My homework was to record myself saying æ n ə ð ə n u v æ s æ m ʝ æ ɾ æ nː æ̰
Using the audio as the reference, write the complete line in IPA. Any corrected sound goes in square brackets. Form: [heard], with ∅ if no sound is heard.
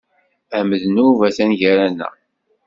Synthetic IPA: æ [m] ə ð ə n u v æ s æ [n] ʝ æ ɾ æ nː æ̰